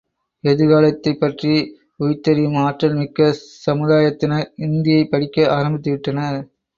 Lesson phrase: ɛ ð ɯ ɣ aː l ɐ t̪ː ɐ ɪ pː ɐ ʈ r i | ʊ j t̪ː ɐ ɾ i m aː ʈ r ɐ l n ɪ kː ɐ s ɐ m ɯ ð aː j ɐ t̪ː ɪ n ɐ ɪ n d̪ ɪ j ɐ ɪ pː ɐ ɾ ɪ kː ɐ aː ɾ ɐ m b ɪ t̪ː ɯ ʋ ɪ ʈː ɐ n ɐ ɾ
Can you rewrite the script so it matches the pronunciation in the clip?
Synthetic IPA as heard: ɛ ð ɯ ɣ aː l ɐ t̪ː ɐ ɪ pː ɐ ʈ r i | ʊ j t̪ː ɐ ɾ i m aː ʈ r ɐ l m ɪ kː ɐ s ɐ m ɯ ð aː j ɐ t̪ː ɪ n ɐ ɪ n d̪ ɪ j ɐ ɪ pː ɐ ɽ ɪ kː ɐ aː ɾ ɐ m b ɪ t̪ː ɯ ʋ ɪ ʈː ɐ n ɐ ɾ

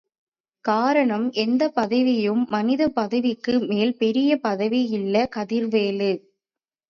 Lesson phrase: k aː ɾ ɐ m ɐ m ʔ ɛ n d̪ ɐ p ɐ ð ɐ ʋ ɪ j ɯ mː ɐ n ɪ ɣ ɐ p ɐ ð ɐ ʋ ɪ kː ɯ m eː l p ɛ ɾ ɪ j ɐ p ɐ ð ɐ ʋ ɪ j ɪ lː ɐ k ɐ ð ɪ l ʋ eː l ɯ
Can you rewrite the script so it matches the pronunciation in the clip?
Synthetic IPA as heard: k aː ɾ ɐ ɳ ɐ m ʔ ɛ n d̪ ɐ p ɐ ð ɐ ʋ ɪ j ɯ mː ɐ n ɪ ð ɐ p ɐ ð ɐ ʋ ɪ kː ɯ m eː l p ɛ ɾ ɪ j ɐ p ɐ ð ɐ ʋ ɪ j ɪ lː ɐ k ɐ ð ɪ ɾ ʋ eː l ɯ

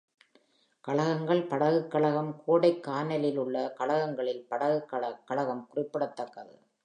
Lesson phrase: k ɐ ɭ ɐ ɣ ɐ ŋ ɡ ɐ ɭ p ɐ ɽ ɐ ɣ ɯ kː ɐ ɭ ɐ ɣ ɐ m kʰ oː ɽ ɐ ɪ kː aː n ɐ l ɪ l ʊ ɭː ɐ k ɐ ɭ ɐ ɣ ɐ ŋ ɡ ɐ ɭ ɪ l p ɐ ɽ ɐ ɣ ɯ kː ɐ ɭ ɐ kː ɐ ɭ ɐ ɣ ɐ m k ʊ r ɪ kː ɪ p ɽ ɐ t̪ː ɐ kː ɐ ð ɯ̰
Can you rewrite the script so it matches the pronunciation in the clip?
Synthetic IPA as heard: k ɐ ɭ ɐ ɣ ɐ ŋ ɡ ɐ ɭ p ɐ ɽ ɐ ɣ ɯ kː ɐ ɭ ɐ ɣ ɐ m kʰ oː ɽ ɐ ɪ kː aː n ɐ l ɪ l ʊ ɭː ɐ k ɐ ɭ ɐ ɣ ɐ ŋ ɡ ɐ ɭ ɪ l p ɐ ɽ ɐ ɣ ɯ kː ɐ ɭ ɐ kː ɐ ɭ ɐ ɣ ɐ m k ʊ r ɪ pː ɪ ɽ ɐ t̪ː ɐ kː ɐ ð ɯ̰

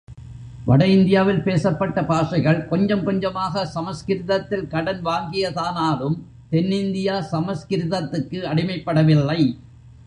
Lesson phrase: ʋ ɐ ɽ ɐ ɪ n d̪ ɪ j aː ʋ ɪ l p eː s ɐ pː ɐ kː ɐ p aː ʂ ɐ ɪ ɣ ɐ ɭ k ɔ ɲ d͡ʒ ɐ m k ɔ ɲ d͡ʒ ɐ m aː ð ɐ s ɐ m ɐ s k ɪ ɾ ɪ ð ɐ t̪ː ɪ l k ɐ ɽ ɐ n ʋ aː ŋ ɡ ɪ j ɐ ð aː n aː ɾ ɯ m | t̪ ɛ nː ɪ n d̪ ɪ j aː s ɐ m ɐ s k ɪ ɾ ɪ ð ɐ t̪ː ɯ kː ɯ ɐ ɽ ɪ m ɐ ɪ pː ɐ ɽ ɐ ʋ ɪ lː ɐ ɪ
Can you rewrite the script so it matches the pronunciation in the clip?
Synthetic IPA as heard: ʋ ɐ ɽ ɐ ɪ n d̪ ɪ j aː ʋ ɪ l p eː s ɐ pː ɐ ʈː ɐ p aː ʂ ɐ ɪ ɣ ɐ ɭ k ɔ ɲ d͡ʒ ɐ m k ɔ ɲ d͡ʒ ɐ m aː ɣ ɐ s ɐ m ɐ s k ɪ ɾ ɪ ð ɐ t̪ː ɪ l k ɐ ɽ ɐ n ʋ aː ŋ ɡ ɪ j ɐ ð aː n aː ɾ ɯ m | t̪ ɛ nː ɪ n d̪ ɪ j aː s ɐ m ɐ s k ɪ ɾ ɪ ð ɐ t̪ː ɯ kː ɯ ɐ ɽ ɪ m ɐ ɪ pː ɐ ɽ ɐ ʋ ɪ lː ɐ ɪ

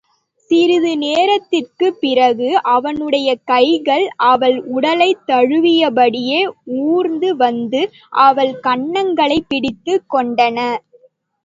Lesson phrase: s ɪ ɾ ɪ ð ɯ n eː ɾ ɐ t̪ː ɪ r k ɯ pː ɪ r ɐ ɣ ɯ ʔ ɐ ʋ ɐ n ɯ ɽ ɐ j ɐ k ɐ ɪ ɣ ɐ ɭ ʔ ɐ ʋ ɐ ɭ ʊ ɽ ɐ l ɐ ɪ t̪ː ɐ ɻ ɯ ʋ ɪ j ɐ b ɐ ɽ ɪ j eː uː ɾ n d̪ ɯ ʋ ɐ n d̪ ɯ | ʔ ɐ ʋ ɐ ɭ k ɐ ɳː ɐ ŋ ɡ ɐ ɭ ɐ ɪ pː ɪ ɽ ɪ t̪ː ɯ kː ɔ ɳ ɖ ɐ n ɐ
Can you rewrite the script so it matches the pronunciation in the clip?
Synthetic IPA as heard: s ɪ ɾ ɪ ð ɯ n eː ɾ ɐ t̪ː ɪ r k ɯ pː ɪ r ɐ ɣ ɯ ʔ ɐ ʋ ɐ n ɯ ɽ ɐ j ɐ k ɐ ɪ ɣ ɐ ɭ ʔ ɐ ʋ ɐ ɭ ʊ ɽ ɐ l ɐ ɪ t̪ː ɐ ɻ ɯ ʋ ɪ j ɐ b ɐ ɽ ɪ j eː uː ɾ n d̪ ɯ ʋ ɐ n d̪ ɯ | ʔ ɐ ʋ ɐ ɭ k ɐ ɳː ɐ ŋ ɡ ɐ ɭ ɐ ɪ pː ɪ ɽ ɪ t̪ː ɯ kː ɔ ɳ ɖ ɐ n ɐ

